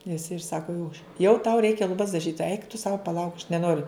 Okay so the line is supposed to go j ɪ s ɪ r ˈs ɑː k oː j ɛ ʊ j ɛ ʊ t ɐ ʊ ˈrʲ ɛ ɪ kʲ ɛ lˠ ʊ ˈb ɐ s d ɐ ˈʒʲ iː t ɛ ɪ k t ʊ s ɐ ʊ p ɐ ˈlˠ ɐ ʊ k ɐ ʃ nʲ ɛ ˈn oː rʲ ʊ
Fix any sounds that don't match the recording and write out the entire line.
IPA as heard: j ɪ s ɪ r ˈs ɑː k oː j ɛ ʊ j ɛ ʊ t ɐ ʊ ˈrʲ ɛ ɪ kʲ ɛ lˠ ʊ ˈb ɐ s d ɐ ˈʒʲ iː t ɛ ɪ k t ʊ s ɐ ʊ p ɐ ˈlˠ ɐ ʊ k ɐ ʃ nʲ ɛ ˈn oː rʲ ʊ